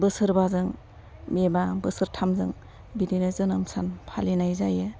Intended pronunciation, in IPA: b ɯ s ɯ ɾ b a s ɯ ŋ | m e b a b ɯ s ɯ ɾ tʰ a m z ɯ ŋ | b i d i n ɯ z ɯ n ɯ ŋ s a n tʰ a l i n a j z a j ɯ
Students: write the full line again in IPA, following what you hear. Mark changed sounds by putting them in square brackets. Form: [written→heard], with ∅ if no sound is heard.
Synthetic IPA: b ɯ s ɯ ɾ b a [s→z] ɯ ŋ | m e b a b ɯ s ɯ ɾ tʰ a m z ɯ ŋ | b i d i n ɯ z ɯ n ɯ [ŋ→m] s a n [tʰ→pʰ] a l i n a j z a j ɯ